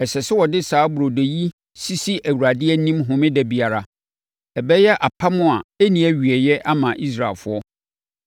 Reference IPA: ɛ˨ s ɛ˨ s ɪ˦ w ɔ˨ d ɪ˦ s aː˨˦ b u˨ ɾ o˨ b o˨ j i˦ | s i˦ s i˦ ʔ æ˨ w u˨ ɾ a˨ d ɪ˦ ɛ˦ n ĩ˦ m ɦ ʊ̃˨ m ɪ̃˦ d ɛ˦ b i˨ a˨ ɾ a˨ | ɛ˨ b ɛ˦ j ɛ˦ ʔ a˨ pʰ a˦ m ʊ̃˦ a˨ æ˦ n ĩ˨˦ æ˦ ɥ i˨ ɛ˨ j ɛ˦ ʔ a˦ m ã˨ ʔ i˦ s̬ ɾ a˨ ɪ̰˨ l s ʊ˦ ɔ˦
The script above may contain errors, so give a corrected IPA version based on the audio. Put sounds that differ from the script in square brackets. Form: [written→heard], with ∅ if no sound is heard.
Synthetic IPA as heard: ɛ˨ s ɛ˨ s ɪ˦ w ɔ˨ d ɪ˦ s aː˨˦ b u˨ ɾ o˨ [b→d] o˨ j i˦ | s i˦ s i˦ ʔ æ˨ w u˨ ɾ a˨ d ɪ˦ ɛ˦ n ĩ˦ m ɦ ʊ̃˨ m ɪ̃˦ d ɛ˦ b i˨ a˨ ɾ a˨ | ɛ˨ b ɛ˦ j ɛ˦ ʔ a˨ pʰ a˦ m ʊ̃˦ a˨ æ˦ n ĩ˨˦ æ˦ ɥ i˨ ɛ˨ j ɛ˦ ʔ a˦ m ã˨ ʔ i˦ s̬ ɾ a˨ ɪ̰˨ l [s→f] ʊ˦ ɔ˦